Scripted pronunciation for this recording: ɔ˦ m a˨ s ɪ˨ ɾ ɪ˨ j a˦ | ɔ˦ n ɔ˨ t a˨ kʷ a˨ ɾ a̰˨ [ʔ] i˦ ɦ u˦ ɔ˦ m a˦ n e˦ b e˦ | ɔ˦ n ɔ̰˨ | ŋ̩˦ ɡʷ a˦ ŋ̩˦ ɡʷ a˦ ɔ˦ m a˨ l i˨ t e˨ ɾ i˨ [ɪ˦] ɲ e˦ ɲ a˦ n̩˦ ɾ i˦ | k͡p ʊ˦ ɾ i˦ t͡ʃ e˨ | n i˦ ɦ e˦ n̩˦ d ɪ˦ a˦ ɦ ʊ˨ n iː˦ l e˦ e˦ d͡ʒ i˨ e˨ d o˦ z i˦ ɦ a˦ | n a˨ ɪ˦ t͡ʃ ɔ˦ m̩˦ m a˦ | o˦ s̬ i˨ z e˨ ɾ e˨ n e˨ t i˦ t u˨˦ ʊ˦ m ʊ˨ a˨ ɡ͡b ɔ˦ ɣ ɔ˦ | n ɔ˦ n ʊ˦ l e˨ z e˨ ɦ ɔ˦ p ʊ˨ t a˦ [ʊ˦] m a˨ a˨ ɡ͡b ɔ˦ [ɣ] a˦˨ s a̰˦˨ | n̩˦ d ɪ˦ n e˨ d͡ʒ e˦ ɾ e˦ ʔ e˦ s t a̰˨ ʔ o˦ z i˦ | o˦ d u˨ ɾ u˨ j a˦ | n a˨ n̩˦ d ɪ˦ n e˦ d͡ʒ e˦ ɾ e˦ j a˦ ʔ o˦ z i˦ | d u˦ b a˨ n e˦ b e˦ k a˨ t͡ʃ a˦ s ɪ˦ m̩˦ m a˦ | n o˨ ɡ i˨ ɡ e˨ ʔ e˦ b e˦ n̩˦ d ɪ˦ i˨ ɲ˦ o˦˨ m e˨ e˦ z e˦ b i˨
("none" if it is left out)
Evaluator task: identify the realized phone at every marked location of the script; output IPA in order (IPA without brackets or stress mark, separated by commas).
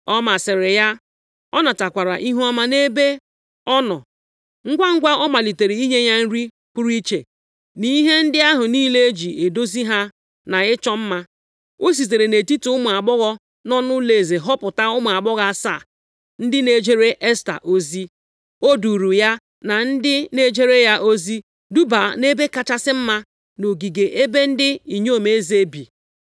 ʔ, i˦, ʊ˦, ɣ